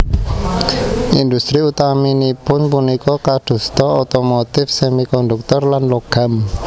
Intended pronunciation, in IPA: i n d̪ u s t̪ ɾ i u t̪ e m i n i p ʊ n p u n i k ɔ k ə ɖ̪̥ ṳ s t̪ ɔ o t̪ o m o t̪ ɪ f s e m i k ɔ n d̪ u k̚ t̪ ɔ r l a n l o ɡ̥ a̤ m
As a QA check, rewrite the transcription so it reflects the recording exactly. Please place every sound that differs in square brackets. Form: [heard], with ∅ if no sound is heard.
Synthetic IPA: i n d̪ u s t̪ ɾ i u t̪ [a] m i n i p ʊ n p u n i k ɔ k [a] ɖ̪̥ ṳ s t̪ ɔ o t̪ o m o t̪ ɪ f s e m i k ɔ n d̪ u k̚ t̪ ɔ r l a n l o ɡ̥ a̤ m